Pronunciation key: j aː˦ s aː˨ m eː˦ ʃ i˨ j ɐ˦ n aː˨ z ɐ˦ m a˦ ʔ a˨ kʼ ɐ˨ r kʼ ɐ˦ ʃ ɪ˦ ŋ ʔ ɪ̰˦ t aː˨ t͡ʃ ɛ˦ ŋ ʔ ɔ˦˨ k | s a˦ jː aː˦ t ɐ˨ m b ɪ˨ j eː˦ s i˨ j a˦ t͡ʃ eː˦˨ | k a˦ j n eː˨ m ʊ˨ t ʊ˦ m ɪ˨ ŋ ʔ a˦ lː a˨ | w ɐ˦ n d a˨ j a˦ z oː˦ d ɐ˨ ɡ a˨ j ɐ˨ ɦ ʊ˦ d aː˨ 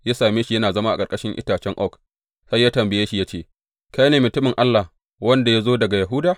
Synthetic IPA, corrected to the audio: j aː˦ s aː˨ m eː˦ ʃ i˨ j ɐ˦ n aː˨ z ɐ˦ m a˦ ʔ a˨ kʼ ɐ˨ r kʼ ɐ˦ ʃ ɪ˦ ŋ ʔ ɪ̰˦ t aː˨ t͡ʃ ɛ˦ ŋ ʔ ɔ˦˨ k | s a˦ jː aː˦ t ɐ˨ m b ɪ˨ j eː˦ ʃ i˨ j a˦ t͡ʃ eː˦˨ | k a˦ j n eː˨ m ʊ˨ t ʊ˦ m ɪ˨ ŋ ʔ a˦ lː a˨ | w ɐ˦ n d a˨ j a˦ z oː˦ d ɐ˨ ɡ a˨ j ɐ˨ ɦ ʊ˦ d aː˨